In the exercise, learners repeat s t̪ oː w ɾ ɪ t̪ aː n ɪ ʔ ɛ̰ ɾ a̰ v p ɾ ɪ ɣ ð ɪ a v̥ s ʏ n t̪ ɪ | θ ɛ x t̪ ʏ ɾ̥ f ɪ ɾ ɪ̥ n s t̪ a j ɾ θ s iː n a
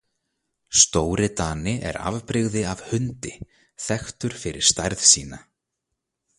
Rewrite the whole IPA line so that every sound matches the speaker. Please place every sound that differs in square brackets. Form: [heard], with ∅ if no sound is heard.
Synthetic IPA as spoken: s t̪ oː w ɾ ɪ t̪ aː n ɪ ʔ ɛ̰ ɾ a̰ v p ɾ ɪ ɣ ð ɪ a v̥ [h] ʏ n t̪ ɪ | θ ɛ x t̪ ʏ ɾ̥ f ɪ ɾ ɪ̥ [∅] s t̪ a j ɾ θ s iː n a